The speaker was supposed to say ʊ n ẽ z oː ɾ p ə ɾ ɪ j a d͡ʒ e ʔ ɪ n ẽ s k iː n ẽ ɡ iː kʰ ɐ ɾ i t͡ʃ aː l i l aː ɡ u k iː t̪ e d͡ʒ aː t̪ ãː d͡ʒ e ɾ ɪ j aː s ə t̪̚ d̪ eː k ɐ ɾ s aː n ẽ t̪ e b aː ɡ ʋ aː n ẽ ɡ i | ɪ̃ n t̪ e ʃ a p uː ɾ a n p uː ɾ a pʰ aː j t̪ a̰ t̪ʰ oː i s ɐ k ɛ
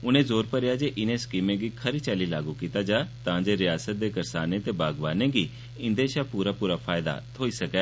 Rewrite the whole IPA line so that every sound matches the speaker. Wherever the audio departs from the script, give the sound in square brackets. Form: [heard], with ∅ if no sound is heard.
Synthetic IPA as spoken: ʊ n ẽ z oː ɾ p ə ɾ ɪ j a d͡ʒ e ʔ ɪ n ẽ s k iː [m] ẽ ɡ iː kʰ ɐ ɾ i t͡ʃ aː l i l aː ɡ u k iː t̪ [a] d͡ʒ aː t̪ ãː d͡ʒ e ɾ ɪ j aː s ə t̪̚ d̪ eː k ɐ ɾ s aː n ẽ t̪ e b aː ɡ ʋ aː n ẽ ɡ i | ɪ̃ n [d̪] e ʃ a p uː ɾ a [∅] p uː ɾ a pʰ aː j [d̪] a̰ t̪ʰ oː i s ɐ k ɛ